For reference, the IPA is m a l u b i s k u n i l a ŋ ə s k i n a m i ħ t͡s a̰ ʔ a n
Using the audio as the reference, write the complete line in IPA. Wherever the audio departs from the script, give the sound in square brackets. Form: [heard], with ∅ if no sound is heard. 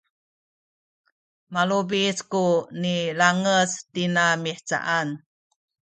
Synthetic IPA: m a l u b i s k u n i l a ŋ ə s [t] i n a m i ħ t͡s a̰ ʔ a n